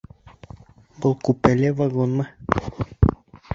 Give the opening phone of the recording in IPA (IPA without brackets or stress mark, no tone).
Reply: b